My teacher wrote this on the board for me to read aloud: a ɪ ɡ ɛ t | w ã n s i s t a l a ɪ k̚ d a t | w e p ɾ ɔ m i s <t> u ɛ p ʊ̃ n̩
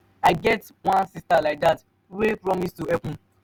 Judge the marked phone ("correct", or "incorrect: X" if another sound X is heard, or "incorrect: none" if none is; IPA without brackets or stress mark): correct